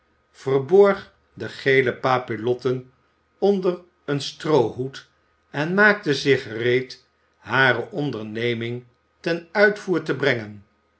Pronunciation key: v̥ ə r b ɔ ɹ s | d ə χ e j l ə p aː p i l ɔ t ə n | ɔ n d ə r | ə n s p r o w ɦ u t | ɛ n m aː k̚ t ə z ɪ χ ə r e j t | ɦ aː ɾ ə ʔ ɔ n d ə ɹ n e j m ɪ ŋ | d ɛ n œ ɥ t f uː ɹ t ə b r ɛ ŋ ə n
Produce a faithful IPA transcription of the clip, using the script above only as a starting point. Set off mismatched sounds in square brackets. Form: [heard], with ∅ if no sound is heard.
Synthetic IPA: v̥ ə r b ɔ ɹ [χ] | d ə χ e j l ə p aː p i l ɔ t ə n | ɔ n d ə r | ə n s [t] r o w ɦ u t | ɛ n m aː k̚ t ə z ɪ χ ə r e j t | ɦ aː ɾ ə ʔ ɔ n d ə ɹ n e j m ɪ ŋ | [t] ɛ n œ ɥ t f uː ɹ t ə b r ɛ ŋ ə n